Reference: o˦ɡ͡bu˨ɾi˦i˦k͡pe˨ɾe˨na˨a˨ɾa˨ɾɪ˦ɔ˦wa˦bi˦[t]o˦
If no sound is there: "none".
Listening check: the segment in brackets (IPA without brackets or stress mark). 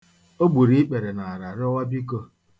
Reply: k